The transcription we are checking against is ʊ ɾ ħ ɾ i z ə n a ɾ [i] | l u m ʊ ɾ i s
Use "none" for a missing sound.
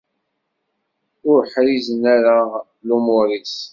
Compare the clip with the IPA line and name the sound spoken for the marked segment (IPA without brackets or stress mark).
a